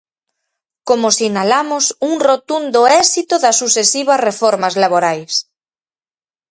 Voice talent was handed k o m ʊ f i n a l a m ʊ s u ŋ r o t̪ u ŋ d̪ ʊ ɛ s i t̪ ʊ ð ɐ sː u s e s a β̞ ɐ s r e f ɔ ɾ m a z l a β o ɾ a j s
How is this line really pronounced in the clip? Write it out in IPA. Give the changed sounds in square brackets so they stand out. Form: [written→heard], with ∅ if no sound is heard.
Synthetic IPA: k o m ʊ [f→s] i n a l a m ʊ s u ŋ r o t̪ u [ŋ→n] d̪ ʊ ɛ s i t̪ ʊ ð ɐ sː u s e s [a→i] β̞ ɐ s r e f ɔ ɾ m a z l a β o ɾ a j s